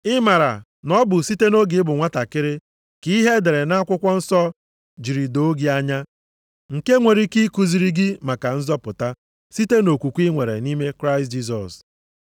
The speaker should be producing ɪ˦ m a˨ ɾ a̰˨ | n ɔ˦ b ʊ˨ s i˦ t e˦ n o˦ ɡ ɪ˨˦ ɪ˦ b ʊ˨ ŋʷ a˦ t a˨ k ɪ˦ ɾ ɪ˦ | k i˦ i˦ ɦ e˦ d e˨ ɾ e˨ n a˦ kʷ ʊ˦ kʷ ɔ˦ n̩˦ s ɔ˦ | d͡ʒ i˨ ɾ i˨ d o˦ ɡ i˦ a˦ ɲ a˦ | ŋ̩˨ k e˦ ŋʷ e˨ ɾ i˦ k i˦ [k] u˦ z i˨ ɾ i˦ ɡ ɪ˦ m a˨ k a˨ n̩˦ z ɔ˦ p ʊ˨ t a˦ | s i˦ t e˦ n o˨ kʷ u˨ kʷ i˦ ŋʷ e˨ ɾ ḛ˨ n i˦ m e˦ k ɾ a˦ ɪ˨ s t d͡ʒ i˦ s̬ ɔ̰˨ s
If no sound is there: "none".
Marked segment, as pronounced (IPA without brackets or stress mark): k